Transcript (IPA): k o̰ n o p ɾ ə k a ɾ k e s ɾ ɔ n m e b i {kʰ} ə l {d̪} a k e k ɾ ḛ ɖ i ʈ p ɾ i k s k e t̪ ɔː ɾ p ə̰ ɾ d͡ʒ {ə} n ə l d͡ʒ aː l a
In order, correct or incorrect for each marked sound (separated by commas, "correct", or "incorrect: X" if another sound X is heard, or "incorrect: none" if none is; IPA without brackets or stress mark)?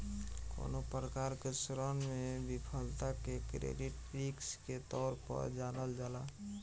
incorrect: pʰ, incorrect: t̪, incorrect: a